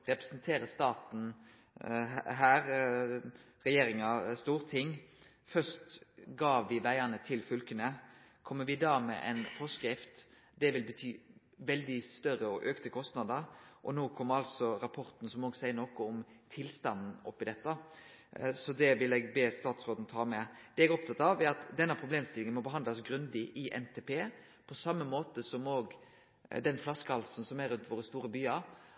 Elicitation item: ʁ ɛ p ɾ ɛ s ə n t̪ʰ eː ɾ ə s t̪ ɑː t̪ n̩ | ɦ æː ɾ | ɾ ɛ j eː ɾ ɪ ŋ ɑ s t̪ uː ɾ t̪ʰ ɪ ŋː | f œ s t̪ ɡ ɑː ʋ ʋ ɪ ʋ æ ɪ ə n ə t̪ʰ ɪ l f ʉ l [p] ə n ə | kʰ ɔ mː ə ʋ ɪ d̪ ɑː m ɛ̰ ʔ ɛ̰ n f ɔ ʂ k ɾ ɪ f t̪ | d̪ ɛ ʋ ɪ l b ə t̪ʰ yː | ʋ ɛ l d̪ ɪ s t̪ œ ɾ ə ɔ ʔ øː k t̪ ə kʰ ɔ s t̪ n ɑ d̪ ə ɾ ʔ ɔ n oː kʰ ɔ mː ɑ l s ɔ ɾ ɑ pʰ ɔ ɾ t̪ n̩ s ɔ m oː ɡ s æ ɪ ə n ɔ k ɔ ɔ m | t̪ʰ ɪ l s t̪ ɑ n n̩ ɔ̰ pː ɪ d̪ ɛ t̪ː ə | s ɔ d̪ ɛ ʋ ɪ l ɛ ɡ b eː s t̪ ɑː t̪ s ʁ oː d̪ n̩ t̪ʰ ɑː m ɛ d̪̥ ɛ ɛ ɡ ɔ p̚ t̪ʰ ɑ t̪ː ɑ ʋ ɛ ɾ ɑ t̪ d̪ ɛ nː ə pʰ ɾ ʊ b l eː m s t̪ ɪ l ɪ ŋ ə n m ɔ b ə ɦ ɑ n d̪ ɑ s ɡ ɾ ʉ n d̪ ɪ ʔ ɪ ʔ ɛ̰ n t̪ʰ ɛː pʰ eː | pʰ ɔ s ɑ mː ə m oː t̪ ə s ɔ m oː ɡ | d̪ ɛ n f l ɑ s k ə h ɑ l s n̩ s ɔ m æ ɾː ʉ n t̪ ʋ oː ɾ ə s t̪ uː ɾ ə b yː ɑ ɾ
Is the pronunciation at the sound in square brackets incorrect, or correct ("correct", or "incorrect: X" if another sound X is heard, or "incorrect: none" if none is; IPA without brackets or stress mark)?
incorrect: k